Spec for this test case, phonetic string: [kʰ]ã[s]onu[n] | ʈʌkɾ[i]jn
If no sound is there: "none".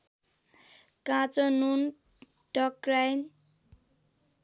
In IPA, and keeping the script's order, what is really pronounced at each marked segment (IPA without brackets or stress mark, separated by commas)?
k, t͡s, n, a